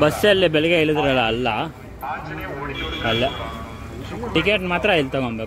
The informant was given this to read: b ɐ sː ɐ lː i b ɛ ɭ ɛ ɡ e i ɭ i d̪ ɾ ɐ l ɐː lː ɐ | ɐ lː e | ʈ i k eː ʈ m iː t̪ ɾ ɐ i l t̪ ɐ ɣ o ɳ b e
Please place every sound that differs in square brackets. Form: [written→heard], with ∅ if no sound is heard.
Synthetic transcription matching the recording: b ɐ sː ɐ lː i b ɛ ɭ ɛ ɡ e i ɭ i d̪ ɾ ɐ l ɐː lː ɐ | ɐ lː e | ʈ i k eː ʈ m [iː→aː] t̪ ɾ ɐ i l t̪ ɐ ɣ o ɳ b e

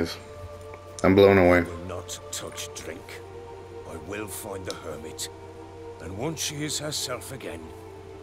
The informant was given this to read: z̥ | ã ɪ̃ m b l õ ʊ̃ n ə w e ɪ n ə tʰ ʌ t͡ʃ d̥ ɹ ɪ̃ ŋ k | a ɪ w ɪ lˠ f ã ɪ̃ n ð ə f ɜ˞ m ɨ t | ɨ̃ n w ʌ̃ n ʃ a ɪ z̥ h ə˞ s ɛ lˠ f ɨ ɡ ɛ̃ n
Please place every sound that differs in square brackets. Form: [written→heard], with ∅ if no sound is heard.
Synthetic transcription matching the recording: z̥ | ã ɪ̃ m b l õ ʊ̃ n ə w e ɪ n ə tʰ ʌ t͡ʃ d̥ ɹ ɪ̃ ŋ k | a ɪ w ɪ lˠ f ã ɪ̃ n ð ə [f→h] ɜ˞ m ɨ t | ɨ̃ n w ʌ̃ n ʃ [a→i] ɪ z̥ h ə˞ s ɛ lˠ f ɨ ɡ ɛ̃ n

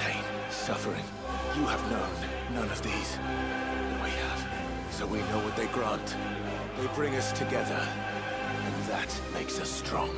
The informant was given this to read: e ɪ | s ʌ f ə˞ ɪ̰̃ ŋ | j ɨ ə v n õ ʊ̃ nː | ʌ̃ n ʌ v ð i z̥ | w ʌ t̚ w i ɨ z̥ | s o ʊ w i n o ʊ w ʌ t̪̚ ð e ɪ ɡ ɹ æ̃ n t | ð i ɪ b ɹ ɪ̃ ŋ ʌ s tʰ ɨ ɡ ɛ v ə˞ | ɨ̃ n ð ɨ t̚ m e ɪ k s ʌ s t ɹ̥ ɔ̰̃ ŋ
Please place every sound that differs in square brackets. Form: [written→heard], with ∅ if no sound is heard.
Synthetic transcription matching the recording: e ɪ | s ʌ f ə˞ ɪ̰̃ ŋ | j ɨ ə v n õ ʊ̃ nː | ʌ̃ n ʌ v ð i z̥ | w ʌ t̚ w i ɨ [z̥→v̥] | s o ʊ w i n o ʊ w ʌ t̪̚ ð e ɪ ɡ ɹ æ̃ n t | ð [i→e] ɪ b ɹ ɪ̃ ŋ ʌ s tʰ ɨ ɡ ɛ [v→ð] ə˞ | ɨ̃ n ð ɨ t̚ m e ɪ k s ʌ s t ɹ̥ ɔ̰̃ ŋ

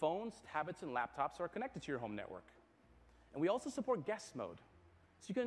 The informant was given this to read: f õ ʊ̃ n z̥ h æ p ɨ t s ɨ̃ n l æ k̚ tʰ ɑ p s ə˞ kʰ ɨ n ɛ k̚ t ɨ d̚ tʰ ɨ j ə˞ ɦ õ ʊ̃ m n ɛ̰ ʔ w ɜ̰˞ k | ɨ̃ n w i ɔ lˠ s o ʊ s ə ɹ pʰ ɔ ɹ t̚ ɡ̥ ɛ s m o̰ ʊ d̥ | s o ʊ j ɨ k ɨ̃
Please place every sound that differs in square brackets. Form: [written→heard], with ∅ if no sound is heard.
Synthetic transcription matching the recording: f õ ʊ̃ n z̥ h æ [p→b] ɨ t s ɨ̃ n l æ [k̚→p̚] tʰ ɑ p s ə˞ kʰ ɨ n ɛ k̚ t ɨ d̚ tʰ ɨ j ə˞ ɦ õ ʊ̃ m n ɛ̰ ʔ w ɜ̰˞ k | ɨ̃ n w i ɔ lˠ s o ʊ s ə [ɹ→∅] pʰ ɔ ɹ t̚ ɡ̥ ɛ s m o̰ ʊ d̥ | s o ʊ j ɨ k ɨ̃

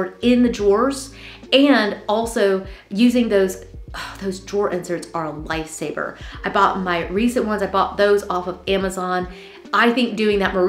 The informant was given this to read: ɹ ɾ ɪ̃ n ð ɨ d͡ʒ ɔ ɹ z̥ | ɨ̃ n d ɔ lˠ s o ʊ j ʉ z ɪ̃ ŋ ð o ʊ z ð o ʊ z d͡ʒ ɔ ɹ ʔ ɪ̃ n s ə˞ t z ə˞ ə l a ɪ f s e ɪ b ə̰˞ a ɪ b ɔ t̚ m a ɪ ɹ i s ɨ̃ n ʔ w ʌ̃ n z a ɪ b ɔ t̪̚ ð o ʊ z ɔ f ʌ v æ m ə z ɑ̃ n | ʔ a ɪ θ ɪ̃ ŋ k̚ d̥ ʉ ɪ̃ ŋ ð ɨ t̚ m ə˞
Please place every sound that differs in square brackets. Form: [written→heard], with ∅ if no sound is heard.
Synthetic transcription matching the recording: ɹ ɾ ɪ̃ n ð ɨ d͡ʒ ɔ ɹ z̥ | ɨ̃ n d ɔ lˠ s o ʊ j ʉ z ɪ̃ ŋ ð o ʊ z ð o ʊ z d͡ʒ ɔ ɹ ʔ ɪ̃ n s ə˞ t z ə˞ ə l a ɪ f s e ɪ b ə̰˞ a ɪ b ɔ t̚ m a ɪ ɹ i s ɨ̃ n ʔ w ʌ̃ n z a ɪ b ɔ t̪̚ ð o ʊ z ɔ f ʌ v æ m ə z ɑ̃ n | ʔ a ɪ θ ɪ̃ ŋ k̚ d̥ ʉ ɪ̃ ŋ ð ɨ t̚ m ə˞

